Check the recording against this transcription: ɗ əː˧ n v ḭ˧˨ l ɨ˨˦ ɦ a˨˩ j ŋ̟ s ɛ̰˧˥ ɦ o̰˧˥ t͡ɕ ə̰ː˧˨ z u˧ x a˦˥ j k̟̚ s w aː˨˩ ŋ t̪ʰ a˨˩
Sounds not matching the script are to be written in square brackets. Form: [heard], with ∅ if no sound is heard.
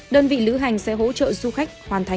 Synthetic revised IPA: ɗ əː˧ n v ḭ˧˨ l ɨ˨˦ ɦ a˨˩ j ŋ̟ s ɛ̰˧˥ ɦ o̰˧˥ t͡ɕ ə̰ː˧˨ z u˧ x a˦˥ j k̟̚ [h] w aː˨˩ [n] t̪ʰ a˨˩